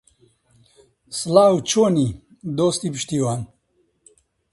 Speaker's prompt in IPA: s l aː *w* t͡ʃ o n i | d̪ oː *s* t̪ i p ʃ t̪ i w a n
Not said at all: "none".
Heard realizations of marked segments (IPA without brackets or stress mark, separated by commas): w, s